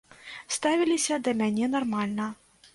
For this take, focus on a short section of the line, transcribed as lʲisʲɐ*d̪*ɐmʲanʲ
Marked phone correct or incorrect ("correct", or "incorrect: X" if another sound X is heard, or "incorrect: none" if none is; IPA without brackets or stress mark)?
correct